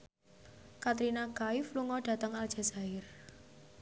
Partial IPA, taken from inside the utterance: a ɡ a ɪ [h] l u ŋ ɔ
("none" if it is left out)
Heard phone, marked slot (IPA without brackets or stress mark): f